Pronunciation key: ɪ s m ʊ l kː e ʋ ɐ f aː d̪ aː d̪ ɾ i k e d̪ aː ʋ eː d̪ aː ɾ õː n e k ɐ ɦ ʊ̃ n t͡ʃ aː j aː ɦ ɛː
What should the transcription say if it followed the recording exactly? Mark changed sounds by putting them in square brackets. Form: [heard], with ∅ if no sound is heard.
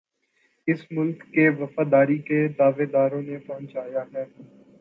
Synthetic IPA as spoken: ɪ s m ʊ l kː e ʋ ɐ f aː d̪ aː [∅] ɾ i k e d̪ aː ʋ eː d̪ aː ɾ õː n e [p] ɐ ɦ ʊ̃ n t͡ʃ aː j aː ɦ ɛː